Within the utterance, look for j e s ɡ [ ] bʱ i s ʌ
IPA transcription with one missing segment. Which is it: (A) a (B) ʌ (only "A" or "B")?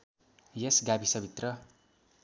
A